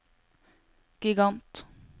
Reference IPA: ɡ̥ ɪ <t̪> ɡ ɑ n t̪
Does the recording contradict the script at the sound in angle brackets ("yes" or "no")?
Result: yes